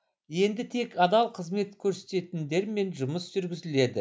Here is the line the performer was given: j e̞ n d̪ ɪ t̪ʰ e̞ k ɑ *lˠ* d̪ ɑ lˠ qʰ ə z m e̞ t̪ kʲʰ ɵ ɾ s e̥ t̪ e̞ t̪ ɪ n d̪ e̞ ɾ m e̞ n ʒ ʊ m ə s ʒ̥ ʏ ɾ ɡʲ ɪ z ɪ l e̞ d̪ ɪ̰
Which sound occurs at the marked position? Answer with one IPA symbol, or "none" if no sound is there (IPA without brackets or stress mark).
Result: none